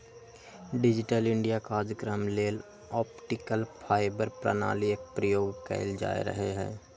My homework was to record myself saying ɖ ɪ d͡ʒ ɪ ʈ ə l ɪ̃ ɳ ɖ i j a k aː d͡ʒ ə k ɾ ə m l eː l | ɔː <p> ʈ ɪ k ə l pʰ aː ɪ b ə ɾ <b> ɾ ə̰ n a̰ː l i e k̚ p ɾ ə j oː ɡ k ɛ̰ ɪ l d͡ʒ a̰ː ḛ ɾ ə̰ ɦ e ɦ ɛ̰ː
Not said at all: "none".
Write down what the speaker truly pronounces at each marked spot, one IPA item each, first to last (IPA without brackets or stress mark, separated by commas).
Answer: p, p